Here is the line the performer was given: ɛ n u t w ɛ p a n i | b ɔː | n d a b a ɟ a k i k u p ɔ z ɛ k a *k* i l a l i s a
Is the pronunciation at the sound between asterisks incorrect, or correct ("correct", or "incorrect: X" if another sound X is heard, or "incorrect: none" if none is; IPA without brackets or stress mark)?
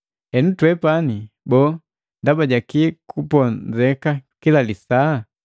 correct